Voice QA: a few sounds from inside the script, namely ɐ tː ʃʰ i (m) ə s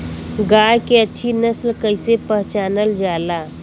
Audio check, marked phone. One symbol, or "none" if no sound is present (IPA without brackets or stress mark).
n